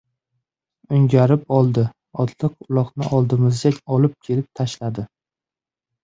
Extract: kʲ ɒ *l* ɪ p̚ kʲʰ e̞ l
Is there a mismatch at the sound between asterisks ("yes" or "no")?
no